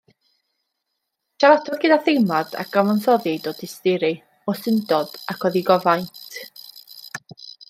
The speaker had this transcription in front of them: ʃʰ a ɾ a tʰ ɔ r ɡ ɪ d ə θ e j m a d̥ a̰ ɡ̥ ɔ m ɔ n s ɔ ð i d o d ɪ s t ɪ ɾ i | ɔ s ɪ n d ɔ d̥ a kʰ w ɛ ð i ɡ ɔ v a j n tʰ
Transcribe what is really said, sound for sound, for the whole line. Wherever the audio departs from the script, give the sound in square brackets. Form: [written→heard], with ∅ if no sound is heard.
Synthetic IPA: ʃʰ a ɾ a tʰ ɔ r ɡ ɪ d [ə→a] θ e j m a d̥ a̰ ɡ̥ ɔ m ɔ n s ɔ ð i d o d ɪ s t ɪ ɾ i | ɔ s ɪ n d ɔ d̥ a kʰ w ɛ ð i ɡ ɔ v a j n tʰ